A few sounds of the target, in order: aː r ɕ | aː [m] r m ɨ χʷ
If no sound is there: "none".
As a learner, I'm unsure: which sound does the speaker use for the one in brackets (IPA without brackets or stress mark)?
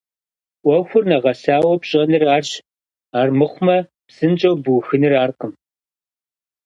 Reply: none